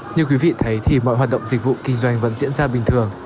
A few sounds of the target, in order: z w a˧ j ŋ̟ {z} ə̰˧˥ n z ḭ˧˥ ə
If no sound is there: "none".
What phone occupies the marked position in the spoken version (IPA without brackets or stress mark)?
v